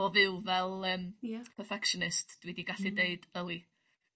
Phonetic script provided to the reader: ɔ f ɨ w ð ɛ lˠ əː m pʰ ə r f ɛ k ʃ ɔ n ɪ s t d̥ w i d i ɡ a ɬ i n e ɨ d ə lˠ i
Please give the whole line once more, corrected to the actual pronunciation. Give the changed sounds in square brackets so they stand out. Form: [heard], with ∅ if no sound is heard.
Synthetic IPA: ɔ [v] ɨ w [v] ɛ lˠ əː m pʰ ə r f ɛ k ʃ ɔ n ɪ s t d̥ w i d i ɡ a ɬ i [d] e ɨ d ə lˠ i